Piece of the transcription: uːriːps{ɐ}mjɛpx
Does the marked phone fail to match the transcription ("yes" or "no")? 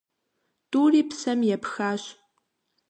no